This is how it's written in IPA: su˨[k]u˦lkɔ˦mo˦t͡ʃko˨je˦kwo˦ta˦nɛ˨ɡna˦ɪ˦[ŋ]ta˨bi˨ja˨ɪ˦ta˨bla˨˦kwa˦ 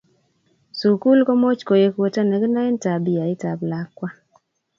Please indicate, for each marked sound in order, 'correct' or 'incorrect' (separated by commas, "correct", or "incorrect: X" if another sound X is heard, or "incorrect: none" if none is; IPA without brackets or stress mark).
correct, incorrect: n